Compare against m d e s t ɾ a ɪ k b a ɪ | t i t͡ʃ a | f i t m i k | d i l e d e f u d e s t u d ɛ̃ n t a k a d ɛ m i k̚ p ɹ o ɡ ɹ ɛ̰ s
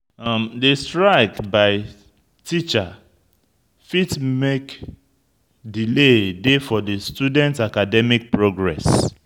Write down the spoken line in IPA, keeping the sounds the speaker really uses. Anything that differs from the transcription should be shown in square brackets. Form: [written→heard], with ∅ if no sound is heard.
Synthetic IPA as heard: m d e s t [ɾ→ɹ] a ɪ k b a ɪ | t i t͡ʃ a | f i t m [i→e] k | d i l e d e f [u→ɔ] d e s t u d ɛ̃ n t a k a d ɛ m i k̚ p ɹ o ɡ ɹ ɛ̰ s

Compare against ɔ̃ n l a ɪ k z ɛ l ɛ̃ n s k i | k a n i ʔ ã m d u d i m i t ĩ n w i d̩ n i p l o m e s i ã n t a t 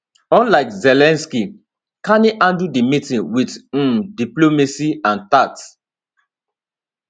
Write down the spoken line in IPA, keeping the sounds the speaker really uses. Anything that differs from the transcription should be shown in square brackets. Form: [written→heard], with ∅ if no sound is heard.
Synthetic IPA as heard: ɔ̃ n l a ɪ k z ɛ l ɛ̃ n s k i | k a n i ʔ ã [m→n] d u d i m i t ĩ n w i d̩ [n→d] i p l o m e s i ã n t a t

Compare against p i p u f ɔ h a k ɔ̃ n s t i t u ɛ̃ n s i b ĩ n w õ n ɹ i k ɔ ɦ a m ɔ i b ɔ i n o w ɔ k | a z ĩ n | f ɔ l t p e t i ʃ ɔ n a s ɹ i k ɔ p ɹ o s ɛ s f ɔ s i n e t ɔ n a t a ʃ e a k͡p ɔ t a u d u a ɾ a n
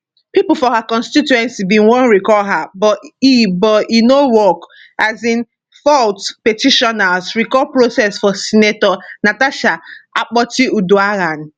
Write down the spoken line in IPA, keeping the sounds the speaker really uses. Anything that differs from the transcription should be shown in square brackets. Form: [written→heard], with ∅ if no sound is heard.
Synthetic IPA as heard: p i p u f ɔ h a k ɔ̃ n s t i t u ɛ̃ n s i b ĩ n w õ n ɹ i k ɔ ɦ a [m→b] ɔ i b ɔ i n o w ɔ k | a z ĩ n | f ɔ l t p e t i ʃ ɔ n a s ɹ i k ɔ p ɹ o s ɛ s f ɔ s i n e t ɔ n a t a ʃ [e→a] a k͡p ɔ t [a→i] u d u a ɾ a n

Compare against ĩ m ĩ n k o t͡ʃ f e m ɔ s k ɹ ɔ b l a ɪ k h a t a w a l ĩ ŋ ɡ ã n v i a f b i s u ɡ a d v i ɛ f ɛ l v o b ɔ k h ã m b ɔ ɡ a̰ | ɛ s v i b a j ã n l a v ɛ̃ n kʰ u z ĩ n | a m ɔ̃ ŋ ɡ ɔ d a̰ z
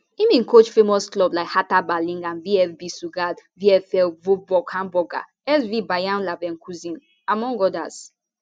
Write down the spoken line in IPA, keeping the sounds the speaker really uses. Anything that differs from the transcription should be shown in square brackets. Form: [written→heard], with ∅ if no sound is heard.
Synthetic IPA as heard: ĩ m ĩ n k o t͡ʃ f e m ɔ s k [ɹ→l] ɔ b l a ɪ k h a t a [w→b] a l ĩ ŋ ɡ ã n v i [a→ɛ] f b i s u ɡ a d v i ɛ f ɛ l v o b ɔ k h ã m b ɔ ɡ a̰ | ɛ s v i b a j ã n l a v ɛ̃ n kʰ u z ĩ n | a m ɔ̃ ŋ ɡ ɔ d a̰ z

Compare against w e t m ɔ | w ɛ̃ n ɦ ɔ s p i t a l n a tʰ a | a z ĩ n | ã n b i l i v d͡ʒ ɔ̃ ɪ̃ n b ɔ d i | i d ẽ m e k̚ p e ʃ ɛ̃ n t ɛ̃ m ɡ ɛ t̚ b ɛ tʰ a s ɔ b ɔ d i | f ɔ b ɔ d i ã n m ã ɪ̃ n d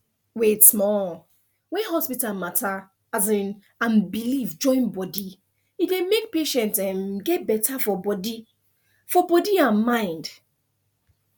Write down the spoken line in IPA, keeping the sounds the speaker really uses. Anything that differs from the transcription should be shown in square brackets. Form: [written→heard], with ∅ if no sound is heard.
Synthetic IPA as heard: w e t m ɔ | w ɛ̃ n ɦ ɔ s p i t a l [n→m] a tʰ a | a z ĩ n | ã n b i l i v d͡ʒ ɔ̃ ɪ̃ n b ɔ d i | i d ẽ m e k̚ p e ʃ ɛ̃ n t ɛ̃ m ɡ ɛ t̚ b ɛ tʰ a [s→f] ɔ b ɔ d i | f ɔ b ɔ d i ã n m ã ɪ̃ n d

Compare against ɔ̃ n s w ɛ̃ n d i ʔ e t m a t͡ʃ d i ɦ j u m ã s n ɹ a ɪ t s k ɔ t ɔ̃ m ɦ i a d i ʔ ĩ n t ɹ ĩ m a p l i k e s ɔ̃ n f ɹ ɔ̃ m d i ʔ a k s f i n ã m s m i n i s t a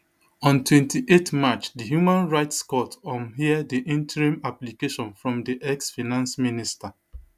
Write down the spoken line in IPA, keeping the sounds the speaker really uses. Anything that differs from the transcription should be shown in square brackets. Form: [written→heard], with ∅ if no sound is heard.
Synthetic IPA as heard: ɔ̃ n [s→t] w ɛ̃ n [d→t] i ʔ e t m a t͡ʃ d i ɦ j u m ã [s→∅] n ɹ a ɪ t s k ɔ t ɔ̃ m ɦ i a d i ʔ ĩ n t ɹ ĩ m a p l i k e [s→ʃ] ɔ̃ n f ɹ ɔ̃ m d i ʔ [a→ɛ] k s f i n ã [m→n] s m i n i s t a

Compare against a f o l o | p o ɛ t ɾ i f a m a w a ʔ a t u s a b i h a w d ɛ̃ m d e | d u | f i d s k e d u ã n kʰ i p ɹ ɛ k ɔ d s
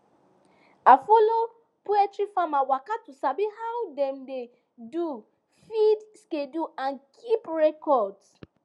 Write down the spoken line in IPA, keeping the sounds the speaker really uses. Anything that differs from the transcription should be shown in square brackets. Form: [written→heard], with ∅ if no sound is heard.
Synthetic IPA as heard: a f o l o | p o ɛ t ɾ i f a m a w a [ʔ→k] a t u s a b i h a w d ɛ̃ m d e | d u | f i d s k e d u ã n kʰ i p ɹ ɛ k ɔ d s

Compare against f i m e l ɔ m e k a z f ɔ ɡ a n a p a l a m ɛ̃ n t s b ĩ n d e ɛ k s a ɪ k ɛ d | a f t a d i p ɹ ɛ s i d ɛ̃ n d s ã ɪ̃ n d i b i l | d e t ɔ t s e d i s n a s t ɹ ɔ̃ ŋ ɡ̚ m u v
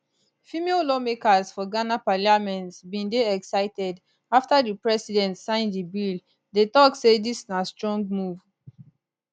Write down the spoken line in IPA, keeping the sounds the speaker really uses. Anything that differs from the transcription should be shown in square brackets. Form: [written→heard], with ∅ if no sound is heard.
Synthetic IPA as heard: f i m e l ɔ m e k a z f ɔ ɡ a n a p a l a m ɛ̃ n t s b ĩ n d e ɛ k s a ɪ [k→t] ɛ d | a f t a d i p ɹ ɛ s i d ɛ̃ n [d→t] s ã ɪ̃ n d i b i l | d e t ɔ [t→k] s e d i s n a s t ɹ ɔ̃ ŋ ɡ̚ m u v

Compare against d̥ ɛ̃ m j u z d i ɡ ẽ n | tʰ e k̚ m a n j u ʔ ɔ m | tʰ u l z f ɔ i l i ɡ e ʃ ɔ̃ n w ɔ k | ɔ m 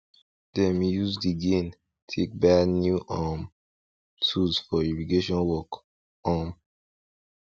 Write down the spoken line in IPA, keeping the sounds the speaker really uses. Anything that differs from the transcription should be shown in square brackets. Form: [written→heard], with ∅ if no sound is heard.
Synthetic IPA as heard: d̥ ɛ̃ m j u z d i ɡ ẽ n | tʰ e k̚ [m→b] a n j u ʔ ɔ m | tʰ u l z f ɔ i [l→ɹ] i ɡ e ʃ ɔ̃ n w ɔ k | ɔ m

